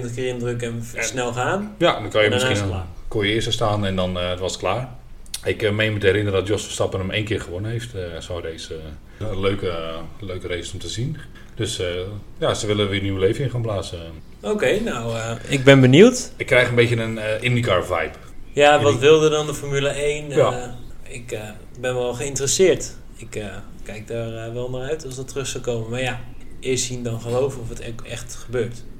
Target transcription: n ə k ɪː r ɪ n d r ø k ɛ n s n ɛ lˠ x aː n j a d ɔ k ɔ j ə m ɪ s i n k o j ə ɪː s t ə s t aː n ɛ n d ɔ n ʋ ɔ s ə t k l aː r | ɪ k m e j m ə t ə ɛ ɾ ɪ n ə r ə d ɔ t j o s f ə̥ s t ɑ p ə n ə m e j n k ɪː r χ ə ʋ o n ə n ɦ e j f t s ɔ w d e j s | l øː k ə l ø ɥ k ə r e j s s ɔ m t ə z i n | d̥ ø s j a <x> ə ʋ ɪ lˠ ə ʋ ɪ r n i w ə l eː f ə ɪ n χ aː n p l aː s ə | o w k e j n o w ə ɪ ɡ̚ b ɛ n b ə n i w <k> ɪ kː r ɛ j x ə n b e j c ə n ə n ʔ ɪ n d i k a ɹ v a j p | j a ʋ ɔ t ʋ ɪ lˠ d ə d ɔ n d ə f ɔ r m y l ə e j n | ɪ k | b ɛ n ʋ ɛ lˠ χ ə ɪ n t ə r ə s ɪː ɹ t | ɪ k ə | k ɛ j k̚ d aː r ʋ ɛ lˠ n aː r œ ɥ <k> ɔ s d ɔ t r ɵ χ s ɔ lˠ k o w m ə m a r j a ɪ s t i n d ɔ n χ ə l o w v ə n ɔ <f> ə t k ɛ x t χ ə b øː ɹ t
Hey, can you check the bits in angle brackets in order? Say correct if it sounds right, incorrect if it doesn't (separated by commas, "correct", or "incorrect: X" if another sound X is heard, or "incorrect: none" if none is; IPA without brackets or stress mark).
incorrect: s, incorrect: t, incorrect: t, correct